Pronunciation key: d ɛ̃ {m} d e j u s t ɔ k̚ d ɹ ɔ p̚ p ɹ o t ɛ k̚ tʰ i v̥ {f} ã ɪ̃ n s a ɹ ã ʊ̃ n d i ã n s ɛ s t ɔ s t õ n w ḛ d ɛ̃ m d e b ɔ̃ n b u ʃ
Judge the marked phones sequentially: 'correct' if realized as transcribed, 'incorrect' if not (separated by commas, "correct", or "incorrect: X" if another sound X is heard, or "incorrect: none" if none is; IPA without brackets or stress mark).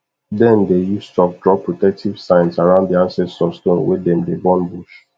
incorrect: n, incorrect: s